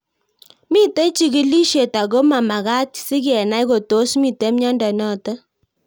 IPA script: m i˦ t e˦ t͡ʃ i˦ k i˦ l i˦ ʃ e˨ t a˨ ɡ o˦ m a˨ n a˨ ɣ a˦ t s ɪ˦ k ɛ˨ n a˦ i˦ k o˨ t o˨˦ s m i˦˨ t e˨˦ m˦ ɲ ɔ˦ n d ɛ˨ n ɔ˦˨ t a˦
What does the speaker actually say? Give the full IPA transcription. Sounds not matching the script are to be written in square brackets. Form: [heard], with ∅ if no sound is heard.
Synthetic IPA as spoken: m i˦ t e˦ t͡ʃ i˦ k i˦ l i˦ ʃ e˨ t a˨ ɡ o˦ m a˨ [m] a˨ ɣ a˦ t s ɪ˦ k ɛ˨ n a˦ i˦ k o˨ t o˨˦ s m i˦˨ t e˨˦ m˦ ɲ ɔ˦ n d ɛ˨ n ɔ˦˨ t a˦

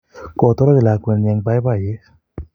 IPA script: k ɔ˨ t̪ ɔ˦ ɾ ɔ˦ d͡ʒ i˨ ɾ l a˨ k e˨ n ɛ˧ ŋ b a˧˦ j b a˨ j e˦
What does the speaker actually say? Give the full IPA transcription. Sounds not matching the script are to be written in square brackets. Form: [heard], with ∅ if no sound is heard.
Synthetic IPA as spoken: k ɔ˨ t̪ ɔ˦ ɾ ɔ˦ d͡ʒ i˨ [∅] l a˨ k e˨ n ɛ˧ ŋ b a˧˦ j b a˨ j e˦

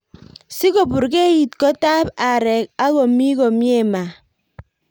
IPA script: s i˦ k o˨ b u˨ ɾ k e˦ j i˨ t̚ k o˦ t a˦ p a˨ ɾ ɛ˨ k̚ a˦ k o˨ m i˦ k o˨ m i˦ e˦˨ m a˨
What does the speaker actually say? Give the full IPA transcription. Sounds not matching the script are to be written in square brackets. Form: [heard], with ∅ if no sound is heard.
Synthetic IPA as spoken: s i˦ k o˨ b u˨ ɾ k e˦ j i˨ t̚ k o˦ t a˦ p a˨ ɾ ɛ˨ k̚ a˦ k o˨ m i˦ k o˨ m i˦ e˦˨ m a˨

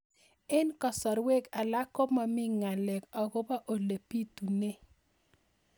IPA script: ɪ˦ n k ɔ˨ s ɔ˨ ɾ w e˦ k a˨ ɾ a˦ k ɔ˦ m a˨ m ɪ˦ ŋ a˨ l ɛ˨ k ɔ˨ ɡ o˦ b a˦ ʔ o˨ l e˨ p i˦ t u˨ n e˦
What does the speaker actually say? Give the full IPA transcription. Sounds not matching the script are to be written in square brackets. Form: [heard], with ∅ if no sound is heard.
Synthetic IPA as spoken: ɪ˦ n k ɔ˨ s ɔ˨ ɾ w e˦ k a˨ [l] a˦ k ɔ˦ m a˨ m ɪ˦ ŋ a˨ l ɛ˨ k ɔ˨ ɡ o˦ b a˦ ʔ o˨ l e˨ p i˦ t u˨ n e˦

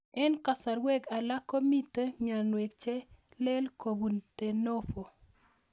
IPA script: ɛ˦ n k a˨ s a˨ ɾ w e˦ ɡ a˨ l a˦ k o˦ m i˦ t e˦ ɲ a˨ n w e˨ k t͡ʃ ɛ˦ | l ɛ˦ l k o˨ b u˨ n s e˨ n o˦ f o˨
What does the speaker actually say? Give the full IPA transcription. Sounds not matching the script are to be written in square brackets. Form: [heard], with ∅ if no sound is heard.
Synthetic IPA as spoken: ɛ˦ n k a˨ s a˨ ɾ w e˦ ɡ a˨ l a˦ k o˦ m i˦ t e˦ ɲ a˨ n w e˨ k t͡ʃ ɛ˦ | l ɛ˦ l k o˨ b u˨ n [t] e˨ n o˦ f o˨

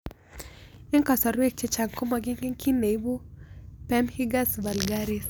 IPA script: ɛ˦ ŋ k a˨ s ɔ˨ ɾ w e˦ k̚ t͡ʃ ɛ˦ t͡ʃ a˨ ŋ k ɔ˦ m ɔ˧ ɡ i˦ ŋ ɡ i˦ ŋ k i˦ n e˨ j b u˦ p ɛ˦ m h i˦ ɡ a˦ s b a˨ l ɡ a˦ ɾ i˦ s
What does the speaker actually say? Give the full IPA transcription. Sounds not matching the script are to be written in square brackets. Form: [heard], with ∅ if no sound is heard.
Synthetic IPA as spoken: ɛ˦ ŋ k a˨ s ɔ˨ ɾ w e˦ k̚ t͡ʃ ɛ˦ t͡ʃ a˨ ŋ k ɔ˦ m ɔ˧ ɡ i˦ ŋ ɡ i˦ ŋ k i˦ n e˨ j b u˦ p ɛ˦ m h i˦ ɡ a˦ s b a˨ l ɡ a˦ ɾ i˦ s

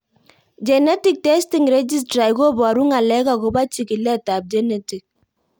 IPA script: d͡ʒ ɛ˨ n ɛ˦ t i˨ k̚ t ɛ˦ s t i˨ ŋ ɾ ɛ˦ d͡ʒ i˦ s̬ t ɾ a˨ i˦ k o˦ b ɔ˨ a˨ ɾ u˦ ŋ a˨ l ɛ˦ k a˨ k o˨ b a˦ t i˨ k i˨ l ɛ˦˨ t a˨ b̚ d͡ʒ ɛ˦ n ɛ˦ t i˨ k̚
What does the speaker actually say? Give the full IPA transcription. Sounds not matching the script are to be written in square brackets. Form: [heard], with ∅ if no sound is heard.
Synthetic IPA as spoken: d͡ʒ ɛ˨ n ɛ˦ t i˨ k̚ t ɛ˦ s t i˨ ŋ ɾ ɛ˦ d͡ʒ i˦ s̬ t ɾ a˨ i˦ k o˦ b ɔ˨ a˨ ɾ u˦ ŋ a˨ l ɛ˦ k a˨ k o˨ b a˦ [t͡ʃ] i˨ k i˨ l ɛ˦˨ t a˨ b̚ d͡ʒ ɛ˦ n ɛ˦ t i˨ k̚

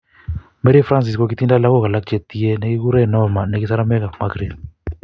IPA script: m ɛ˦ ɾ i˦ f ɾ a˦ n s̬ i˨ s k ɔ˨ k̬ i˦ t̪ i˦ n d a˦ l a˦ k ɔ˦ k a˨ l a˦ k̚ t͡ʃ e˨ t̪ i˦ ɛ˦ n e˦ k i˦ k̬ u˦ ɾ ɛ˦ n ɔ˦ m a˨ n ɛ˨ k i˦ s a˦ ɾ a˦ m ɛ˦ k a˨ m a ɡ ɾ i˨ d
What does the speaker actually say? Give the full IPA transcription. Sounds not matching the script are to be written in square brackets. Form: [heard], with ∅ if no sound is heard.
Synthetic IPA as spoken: m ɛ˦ ɾ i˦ f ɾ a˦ n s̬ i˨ s k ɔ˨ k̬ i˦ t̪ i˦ n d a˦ l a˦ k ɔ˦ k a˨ l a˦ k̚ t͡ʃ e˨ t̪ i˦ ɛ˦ n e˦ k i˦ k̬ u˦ ɾ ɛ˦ n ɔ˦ m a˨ n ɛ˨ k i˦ s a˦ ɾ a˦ m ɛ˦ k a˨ m a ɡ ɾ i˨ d

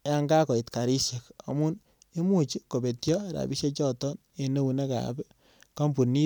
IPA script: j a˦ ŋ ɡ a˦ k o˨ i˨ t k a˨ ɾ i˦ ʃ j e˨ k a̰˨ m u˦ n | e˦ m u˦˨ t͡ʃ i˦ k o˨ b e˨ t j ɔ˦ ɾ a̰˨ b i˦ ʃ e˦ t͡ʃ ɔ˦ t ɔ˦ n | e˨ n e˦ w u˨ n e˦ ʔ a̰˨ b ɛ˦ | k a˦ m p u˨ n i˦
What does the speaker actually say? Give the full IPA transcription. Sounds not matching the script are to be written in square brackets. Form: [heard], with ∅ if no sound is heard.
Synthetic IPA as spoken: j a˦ ŋ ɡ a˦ k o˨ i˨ t k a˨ ɾ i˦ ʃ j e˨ k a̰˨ m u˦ n | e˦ m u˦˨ t͡ʃ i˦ k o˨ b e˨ t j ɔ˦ ɾ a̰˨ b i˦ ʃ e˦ t͡ʃ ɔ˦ t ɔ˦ n | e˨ n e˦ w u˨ n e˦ [k] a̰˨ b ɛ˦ | k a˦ m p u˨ n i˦

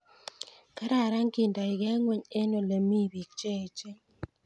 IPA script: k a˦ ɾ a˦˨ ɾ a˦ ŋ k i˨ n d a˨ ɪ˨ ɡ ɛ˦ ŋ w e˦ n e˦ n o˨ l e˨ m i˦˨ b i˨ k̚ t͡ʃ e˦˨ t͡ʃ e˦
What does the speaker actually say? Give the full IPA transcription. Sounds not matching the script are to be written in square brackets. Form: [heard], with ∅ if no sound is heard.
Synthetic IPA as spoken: k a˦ ɾ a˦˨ ɾ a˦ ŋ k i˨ n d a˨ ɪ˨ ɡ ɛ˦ ŋ w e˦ [ɲ] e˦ n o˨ l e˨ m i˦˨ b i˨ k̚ t͡ʃ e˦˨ t͡ʃ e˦

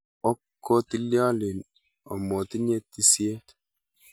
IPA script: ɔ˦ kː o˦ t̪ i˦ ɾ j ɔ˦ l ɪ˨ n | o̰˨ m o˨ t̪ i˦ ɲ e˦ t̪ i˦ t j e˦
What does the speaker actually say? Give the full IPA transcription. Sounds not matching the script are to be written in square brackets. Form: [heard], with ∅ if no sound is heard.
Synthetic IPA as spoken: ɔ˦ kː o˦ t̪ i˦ [l] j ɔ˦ l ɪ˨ n | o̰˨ m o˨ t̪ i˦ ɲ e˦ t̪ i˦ [s] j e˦

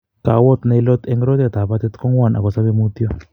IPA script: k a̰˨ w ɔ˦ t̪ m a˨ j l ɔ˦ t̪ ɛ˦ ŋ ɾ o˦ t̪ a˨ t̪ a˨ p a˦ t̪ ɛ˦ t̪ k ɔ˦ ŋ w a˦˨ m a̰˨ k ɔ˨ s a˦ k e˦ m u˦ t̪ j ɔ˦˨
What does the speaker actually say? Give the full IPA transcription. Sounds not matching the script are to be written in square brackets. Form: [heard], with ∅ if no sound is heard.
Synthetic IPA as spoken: k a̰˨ w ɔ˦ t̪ [n] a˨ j l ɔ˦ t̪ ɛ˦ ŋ ɾ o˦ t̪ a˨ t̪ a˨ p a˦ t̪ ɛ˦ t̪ k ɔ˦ ŋ w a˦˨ [n] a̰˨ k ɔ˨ s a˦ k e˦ m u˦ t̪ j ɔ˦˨

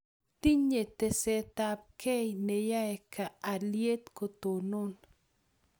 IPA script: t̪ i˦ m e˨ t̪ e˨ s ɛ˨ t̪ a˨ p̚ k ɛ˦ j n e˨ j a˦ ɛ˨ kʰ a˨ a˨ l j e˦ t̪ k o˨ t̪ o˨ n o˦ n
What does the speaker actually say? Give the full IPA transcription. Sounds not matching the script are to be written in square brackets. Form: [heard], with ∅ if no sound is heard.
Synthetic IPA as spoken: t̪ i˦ [ɲ] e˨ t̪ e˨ s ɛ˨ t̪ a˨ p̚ k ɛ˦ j n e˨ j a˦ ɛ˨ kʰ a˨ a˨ l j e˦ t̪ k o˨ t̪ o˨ n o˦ n

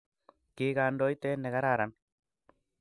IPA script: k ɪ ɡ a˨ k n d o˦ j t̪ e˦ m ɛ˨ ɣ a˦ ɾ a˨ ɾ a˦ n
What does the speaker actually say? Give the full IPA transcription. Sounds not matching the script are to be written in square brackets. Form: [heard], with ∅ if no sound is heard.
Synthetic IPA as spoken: k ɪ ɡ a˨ [∅] n d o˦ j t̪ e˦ [n] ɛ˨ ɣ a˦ ɾ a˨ ɾ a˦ n

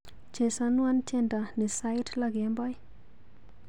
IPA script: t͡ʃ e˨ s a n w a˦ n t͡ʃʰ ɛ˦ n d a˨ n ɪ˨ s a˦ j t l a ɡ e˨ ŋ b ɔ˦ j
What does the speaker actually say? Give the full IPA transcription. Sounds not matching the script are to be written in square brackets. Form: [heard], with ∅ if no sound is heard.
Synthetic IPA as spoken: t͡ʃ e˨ s a n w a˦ n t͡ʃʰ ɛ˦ n d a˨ n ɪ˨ s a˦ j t l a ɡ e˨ [m] b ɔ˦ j

